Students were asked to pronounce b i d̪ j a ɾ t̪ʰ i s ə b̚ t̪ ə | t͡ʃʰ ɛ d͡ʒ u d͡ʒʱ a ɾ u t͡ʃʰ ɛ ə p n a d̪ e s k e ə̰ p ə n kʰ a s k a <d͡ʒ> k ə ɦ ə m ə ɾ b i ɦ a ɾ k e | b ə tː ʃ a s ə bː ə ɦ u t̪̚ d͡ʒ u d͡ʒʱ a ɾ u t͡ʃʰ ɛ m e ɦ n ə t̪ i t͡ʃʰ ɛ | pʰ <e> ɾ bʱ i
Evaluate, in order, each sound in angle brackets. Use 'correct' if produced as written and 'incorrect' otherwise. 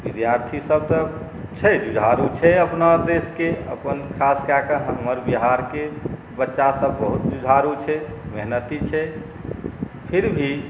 incorrect: none, incorrect: i

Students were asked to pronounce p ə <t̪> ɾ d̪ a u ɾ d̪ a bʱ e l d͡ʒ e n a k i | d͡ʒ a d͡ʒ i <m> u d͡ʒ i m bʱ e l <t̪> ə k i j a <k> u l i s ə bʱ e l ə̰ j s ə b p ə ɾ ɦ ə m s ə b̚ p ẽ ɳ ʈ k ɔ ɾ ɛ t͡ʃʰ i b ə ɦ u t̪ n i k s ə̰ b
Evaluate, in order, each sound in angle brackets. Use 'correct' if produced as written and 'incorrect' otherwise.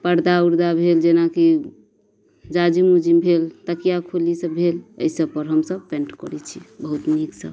incorrect: none, correct, correct, incorrect: kʰ

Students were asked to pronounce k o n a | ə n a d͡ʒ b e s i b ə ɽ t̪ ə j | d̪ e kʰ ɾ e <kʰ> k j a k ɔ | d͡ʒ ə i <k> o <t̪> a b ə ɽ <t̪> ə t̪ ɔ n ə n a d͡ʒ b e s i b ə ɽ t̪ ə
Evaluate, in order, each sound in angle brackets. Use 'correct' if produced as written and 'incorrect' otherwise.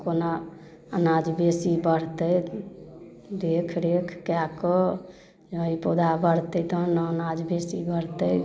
correct, incorrect: p, incorrect: d̪, correct

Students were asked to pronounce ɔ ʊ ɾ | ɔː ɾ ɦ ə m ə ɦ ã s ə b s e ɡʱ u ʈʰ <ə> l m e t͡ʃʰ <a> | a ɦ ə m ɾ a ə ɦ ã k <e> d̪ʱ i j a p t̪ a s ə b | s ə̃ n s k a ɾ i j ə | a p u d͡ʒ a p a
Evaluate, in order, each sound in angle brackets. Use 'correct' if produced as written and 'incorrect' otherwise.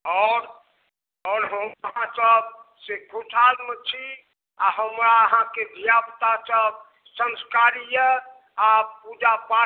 incorrect: a, incorrect: i, correct

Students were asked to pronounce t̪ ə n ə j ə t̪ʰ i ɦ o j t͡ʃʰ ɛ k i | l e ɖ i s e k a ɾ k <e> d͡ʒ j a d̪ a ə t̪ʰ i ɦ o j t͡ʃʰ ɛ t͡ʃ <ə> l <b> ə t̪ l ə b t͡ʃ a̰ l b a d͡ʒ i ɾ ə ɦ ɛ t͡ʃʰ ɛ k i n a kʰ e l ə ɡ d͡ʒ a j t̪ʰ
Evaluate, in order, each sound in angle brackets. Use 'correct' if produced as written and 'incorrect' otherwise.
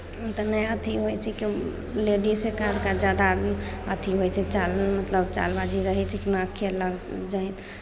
incorrect: a, incorrect: a, incorrect: m

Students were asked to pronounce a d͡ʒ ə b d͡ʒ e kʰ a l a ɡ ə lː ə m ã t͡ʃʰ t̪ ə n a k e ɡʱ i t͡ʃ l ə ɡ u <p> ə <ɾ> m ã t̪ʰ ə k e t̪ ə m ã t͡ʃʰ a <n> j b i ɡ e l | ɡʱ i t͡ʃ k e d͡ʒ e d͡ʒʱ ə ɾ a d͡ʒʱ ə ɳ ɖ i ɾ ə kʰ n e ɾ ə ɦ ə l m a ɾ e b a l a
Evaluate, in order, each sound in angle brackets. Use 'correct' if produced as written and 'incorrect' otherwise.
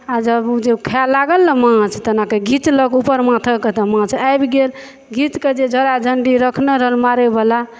correct, correct, incorrect: none

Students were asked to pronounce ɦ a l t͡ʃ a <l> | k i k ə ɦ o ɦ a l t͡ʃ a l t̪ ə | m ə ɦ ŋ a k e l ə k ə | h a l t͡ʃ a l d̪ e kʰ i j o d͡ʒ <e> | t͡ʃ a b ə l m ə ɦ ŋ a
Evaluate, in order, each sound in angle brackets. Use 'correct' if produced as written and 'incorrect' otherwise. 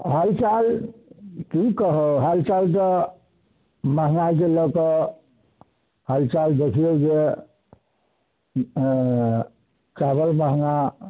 correct, correct

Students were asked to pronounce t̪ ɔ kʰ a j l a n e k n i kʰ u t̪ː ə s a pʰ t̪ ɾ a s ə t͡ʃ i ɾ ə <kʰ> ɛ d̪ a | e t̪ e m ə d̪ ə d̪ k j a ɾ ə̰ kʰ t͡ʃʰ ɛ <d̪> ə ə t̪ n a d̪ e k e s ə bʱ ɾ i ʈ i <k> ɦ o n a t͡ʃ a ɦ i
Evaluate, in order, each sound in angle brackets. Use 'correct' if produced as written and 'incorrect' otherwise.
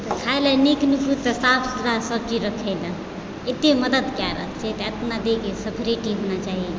correct, incorrect: t̪, incorrect: none

